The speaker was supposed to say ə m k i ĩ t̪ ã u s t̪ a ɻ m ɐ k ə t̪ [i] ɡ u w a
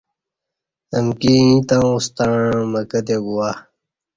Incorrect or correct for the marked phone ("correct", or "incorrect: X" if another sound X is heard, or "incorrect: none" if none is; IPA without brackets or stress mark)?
incorrect: e